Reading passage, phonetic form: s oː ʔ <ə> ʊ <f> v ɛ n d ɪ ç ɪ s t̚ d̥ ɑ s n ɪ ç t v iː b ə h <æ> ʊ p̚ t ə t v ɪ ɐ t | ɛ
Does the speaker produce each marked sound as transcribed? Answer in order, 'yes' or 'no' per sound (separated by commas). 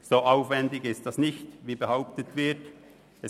no, yes, no